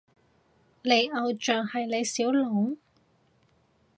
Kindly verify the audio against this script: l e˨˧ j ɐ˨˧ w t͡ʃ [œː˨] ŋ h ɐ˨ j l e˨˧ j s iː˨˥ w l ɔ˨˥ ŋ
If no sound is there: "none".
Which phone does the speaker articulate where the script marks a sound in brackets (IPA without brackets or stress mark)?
œː˨